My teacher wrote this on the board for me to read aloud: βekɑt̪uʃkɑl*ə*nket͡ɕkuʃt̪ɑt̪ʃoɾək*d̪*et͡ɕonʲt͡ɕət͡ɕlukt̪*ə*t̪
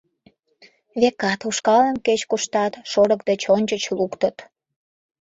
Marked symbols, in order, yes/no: yes, yes, yes

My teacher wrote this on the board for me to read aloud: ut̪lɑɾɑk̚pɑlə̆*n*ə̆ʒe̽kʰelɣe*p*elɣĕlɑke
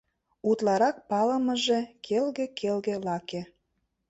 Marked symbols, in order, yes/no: no, no

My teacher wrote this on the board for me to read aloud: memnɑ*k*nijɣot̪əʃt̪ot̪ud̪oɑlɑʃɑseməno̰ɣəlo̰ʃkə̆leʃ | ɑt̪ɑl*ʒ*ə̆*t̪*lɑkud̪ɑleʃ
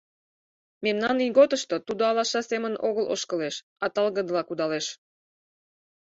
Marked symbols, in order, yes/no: no, no, no

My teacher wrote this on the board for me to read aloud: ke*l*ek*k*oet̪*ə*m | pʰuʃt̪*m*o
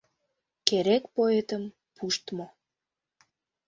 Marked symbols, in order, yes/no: no, no, yes, yes

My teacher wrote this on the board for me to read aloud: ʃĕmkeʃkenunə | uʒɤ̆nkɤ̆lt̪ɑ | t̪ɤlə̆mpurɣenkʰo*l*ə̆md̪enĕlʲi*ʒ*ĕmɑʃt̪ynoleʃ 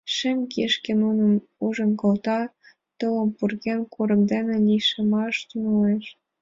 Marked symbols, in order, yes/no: no, no

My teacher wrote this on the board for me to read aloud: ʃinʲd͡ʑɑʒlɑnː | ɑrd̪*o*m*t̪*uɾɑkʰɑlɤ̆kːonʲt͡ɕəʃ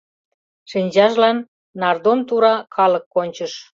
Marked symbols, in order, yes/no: yes, yes

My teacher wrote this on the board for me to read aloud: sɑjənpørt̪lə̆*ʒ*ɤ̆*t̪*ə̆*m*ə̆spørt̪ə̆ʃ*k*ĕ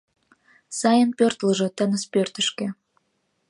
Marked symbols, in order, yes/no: yes, yes, no, yes

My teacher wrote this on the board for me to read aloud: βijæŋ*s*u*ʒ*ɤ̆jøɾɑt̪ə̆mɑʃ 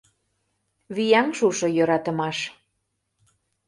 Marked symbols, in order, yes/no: no, no

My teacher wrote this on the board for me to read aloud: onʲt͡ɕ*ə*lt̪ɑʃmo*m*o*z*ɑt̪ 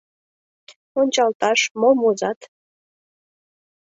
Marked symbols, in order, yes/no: no, yes, yes

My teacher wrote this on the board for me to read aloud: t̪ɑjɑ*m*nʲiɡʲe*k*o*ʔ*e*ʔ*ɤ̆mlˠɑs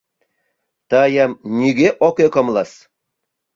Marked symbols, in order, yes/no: yes, no, no, no

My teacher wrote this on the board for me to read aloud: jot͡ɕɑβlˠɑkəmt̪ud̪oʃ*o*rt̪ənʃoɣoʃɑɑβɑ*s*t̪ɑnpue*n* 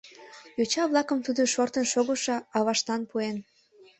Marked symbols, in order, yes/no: yes, no, yes

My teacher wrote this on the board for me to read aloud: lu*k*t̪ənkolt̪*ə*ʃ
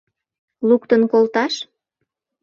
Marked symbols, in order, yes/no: yes, no

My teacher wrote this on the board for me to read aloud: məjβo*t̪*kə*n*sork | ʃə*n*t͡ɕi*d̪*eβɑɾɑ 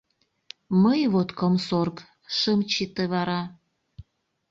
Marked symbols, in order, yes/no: yes, no, no, no

